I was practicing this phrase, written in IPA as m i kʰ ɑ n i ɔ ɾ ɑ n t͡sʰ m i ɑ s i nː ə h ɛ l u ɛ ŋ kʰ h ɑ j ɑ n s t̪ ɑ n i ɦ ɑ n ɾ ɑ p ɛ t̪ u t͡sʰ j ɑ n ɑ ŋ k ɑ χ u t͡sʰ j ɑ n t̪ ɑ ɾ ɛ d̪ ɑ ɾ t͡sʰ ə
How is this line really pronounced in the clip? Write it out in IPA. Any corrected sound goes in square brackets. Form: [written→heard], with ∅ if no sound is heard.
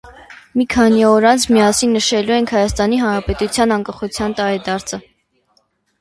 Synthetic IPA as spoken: m i kʰ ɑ n i ɔ ɾ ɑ n t͡sʰ m i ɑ s i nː ə [h→ʃ] ɛ l u ɛ ŋ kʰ h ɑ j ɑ [n→∅] s t̪ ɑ n i ɦ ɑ n ɾ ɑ p ɛ t̪ u t͡sʰ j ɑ n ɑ ŋ k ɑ χ u t͡sʰ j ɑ n t̪ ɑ ɾ ɛ d̪ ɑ ɾ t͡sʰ ə